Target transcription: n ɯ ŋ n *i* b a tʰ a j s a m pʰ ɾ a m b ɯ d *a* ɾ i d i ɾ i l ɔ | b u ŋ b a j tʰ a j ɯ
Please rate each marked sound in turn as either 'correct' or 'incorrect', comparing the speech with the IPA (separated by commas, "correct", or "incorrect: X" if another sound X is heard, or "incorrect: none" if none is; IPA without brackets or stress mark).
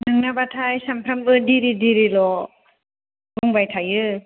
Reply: incorrect: a, incorrect: i